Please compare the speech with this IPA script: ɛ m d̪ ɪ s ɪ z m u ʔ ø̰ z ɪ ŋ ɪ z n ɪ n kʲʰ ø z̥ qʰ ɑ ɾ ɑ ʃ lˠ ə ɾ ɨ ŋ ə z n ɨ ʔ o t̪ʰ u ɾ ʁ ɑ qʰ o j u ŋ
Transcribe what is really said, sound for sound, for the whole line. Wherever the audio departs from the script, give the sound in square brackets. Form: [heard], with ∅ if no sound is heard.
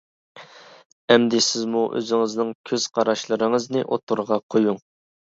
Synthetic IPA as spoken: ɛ m d̪ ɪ s ɪ z m u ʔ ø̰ z ɪ ŋ ɪ z n ɪ [ŋ] kʲʰ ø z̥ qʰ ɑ ɾ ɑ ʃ lˠ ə ɾ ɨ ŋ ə z n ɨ ʔ o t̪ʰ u ɾ ʁ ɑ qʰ o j u ŋ